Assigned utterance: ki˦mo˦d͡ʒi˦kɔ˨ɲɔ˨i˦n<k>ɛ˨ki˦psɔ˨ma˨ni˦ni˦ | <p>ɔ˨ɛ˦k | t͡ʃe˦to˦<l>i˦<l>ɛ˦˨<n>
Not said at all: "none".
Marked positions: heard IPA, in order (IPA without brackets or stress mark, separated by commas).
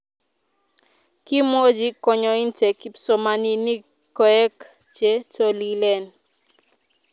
t, k, l, l, n